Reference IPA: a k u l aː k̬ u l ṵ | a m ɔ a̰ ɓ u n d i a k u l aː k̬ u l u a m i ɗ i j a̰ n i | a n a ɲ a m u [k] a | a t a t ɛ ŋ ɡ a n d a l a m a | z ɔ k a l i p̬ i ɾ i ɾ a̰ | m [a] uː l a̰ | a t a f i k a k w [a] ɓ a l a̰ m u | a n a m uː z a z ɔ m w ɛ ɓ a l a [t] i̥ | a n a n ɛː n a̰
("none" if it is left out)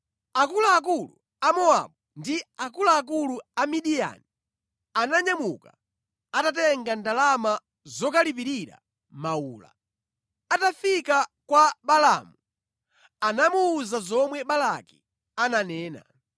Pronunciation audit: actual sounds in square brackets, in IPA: k, a, a, k

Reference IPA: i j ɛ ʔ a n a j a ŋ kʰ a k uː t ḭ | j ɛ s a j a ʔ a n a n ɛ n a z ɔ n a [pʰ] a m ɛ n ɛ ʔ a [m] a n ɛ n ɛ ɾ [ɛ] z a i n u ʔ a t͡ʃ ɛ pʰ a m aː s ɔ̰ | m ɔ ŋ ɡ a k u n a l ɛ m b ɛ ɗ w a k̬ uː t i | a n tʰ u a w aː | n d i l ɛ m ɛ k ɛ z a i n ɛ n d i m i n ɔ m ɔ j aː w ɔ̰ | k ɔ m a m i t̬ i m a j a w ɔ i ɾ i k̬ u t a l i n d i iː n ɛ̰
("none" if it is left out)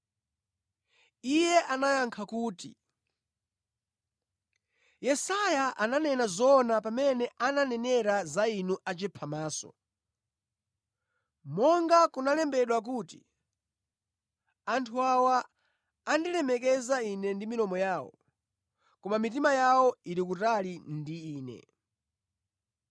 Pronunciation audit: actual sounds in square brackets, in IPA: p, n, a

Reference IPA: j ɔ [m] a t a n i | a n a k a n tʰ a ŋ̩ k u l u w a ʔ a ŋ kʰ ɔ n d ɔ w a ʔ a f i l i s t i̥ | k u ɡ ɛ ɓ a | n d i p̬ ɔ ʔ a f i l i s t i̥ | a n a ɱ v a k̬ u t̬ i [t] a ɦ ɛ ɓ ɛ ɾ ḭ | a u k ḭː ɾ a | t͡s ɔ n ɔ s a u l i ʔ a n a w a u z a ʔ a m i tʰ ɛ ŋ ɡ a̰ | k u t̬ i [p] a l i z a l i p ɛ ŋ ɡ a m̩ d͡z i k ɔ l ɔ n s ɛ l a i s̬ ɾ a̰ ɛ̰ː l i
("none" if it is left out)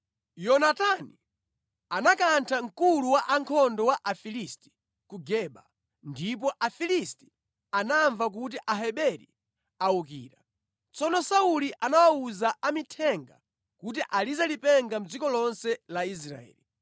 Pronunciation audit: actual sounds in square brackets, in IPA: n, ʔ, ʔ

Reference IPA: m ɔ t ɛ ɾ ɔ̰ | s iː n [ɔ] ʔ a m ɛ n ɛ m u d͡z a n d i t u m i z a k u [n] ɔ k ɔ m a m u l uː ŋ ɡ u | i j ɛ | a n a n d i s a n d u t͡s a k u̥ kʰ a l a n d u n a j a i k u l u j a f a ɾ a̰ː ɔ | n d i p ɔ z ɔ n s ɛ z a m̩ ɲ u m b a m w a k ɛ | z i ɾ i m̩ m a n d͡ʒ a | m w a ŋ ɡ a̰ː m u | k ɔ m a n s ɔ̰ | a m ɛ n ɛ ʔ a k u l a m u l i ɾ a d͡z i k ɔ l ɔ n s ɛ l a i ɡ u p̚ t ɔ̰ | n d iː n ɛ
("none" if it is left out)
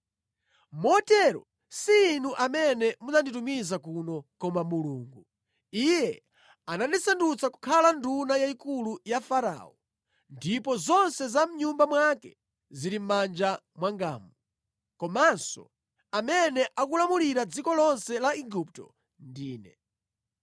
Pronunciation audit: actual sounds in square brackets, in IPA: u, n

